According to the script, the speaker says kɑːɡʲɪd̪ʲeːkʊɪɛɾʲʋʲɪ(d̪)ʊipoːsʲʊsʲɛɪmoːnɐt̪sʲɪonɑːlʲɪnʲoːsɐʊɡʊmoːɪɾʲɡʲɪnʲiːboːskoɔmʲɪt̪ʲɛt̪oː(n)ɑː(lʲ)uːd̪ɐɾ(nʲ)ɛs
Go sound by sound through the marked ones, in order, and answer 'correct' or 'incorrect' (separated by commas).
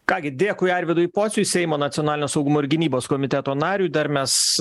correct, correct, incorrect, incorrect